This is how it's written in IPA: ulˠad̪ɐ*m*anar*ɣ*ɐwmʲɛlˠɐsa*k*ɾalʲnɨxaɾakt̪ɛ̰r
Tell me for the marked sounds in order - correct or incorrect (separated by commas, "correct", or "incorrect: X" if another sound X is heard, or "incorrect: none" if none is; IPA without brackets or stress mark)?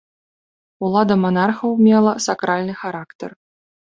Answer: correct, incorrect: x, correct